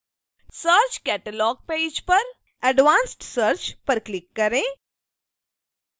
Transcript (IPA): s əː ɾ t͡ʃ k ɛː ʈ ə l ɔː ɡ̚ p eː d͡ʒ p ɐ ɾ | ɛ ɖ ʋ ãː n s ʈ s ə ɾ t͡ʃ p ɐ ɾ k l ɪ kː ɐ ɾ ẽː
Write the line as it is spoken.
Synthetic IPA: s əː ɾ t͡ʃ k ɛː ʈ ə l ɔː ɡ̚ p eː d͡ʒ p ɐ ɾ | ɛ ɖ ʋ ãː n s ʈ s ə ɾ t͡ʃ p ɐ ɾ k l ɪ kː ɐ ɾ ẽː

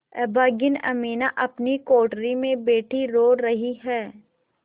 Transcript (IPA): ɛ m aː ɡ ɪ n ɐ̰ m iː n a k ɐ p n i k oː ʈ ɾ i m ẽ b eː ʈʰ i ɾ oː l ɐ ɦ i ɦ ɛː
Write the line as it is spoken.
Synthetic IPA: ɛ b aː ɡ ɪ n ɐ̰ m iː n a ʔ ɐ p n i k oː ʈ ɾ i m ẽ b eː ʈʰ i ɾ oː ɾ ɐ ɦ i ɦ ɛː

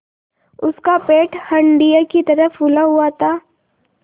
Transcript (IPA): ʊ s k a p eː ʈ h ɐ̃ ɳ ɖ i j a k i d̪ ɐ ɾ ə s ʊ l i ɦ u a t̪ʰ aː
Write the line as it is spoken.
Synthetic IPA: ʊ s k a p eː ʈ h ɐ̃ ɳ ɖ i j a k i t̪ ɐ ɾ ə f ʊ l a ɦ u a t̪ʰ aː

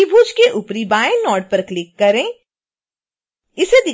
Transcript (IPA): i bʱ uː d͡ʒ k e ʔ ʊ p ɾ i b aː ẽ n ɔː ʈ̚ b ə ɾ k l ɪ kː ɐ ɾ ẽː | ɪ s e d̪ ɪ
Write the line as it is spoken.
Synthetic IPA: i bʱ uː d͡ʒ k e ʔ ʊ p ɾ i b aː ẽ n ɔː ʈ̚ p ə ɾ k l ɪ kː ɐ ɾ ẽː | ɪ s e d̪ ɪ

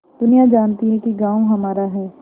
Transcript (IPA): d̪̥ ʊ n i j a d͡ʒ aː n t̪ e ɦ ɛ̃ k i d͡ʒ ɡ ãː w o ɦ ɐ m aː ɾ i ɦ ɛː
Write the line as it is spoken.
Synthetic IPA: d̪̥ ʊ n i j a d͡ʒ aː n t̪ i ɦ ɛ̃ k i ɡ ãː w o ɦ ɐ m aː ɾ a ɦ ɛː

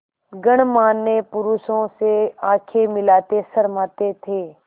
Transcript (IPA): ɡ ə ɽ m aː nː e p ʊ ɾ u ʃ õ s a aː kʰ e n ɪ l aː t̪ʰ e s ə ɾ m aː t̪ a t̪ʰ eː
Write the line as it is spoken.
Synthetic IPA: ɡ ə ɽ m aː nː e p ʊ ɾ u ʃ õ s e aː kʰ e m ɪ l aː t̪ e s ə ɾ m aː t̪ e t̪ʰ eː

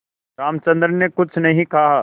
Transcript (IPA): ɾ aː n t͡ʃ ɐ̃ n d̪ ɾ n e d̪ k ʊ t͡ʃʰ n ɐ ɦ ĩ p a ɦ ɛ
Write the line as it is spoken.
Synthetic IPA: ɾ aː m t͡ʃ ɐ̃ n d̪ ɾ n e k ʊ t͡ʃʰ n ɐ ɦ ĩ k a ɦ a

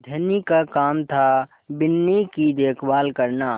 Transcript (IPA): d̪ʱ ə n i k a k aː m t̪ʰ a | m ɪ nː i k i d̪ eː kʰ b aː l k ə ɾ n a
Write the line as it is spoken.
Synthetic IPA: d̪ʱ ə n i k a k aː m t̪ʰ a | b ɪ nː i k i d̪ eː kʰ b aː l k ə ɾ n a

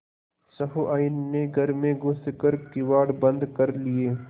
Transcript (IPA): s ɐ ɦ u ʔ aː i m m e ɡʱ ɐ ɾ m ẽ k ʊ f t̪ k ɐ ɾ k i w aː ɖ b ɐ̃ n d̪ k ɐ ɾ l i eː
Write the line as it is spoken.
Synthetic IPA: s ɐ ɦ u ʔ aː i n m e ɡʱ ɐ ɾ m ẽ ɡ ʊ s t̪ k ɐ ɾ k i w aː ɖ b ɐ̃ n d̪ k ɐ ɾ l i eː

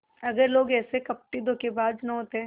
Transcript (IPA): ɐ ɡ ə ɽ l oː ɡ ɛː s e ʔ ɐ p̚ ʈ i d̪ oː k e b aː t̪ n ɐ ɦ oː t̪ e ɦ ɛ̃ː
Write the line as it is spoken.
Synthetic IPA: ɐ ɡ ə ɾ l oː ɡ ɛː s e k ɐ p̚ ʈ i d̪ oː k e b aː d̪ n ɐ ɦ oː t̪ e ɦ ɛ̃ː

